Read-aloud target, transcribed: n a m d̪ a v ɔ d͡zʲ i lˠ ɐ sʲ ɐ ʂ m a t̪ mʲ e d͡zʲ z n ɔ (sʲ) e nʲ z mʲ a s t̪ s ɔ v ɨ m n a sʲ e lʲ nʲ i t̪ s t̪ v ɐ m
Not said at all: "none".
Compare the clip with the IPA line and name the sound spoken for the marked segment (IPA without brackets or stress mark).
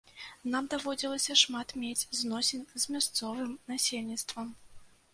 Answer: sʲ